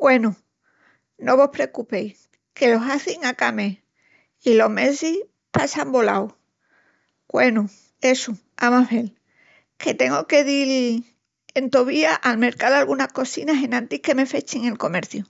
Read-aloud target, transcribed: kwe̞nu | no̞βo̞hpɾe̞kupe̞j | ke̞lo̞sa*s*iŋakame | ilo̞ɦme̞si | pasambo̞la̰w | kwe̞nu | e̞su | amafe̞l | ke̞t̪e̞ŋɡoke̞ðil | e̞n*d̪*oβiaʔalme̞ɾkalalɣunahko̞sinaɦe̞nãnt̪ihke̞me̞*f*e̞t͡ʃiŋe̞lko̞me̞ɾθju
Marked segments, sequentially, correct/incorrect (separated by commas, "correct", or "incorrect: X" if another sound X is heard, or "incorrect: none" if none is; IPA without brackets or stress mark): incorrect: θ, incorrect: t̪, correct